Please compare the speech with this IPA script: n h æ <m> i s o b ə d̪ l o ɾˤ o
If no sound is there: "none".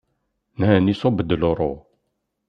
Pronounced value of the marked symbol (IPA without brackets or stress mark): n